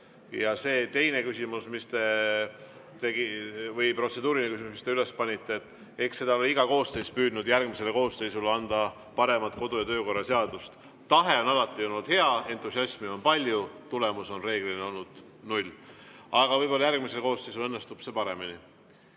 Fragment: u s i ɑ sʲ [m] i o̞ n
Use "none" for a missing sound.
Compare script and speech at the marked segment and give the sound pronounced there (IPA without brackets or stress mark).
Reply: m